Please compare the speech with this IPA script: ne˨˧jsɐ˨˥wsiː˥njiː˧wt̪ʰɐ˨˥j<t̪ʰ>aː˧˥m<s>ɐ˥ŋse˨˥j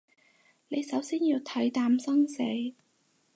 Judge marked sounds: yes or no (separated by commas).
no, yes